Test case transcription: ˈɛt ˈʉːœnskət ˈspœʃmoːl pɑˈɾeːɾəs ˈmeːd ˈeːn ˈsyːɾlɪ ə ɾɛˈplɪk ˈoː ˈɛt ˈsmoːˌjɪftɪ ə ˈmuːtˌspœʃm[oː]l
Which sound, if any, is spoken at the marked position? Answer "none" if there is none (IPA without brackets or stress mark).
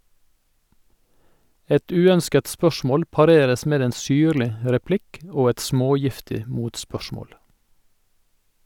oː